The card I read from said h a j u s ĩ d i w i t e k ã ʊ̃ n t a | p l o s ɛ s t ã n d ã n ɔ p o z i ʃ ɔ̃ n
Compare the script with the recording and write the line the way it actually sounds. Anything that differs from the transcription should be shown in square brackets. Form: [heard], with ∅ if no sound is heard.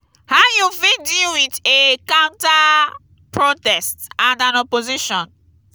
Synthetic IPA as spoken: h a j u [f] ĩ d i w i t e k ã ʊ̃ n t a | p [ɹ] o [t] ɛ s t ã n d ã n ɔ p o z i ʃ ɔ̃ n